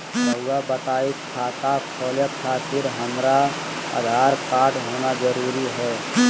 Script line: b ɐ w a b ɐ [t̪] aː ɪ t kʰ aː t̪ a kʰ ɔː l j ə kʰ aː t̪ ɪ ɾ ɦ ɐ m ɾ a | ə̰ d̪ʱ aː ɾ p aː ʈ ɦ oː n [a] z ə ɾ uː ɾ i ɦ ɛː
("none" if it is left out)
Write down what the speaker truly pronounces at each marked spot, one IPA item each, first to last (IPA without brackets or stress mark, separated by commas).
t̪, a